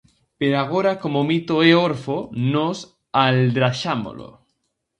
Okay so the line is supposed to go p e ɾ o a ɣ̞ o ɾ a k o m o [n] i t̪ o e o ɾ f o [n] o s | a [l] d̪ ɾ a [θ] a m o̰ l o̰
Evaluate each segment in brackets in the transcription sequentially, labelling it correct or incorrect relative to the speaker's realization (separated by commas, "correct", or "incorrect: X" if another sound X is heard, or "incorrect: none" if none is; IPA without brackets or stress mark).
incorrect: m, correct, correct, incorrect: ʃ